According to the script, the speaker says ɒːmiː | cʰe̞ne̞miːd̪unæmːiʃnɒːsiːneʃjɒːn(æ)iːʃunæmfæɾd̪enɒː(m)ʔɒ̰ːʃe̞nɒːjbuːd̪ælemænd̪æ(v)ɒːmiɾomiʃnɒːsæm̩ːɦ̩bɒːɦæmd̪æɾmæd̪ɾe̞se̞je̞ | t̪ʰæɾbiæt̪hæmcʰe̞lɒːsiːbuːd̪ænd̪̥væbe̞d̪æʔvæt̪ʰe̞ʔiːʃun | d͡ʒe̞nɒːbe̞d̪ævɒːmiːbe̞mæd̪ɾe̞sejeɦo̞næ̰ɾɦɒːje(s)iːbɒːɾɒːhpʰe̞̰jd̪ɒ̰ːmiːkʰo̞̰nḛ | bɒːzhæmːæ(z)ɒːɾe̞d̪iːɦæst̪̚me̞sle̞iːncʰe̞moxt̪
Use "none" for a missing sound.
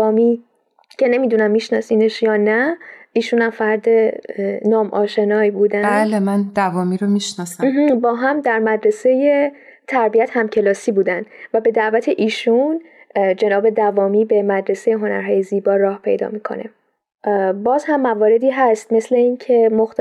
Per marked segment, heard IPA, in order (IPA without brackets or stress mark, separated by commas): æ, m, v, z, v